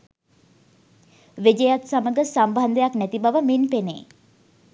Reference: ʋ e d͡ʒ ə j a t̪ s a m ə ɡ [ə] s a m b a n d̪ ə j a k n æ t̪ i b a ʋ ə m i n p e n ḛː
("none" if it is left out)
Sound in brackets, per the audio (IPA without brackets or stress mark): ə